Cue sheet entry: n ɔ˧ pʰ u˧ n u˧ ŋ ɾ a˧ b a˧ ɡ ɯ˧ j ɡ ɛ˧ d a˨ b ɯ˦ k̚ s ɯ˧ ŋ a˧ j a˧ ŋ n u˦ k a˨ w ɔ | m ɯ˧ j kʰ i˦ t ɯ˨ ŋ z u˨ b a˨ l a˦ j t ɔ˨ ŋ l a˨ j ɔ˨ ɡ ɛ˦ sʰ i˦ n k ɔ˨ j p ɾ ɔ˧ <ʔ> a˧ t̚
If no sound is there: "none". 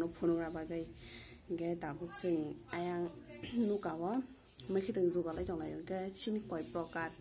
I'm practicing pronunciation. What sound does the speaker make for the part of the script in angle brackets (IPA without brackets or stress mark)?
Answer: k